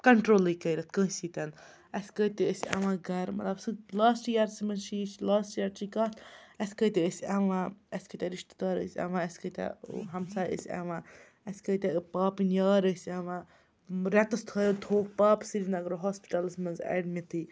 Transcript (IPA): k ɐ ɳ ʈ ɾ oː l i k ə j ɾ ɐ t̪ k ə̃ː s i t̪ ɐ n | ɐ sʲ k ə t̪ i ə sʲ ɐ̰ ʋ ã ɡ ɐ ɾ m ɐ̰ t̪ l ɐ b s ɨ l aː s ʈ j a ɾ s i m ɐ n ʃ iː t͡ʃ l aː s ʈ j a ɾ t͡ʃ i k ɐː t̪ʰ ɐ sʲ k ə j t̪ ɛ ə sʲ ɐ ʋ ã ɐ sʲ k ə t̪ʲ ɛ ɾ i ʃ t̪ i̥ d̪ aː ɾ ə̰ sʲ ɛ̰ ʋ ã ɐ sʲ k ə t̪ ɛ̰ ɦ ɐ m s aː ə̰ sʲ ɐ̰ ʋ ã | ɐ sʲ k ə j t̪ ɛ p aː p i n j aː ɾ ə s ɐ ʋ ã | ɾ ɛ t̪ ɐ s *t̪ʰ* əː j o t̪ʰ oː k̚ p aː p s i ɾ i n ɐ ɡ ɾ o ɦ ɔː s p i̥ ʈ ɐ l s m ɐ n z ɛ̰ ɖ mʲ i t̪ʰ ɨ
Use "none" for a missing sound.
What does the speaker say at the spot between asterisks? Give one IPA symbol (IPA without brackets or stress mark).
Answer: t̪ʰ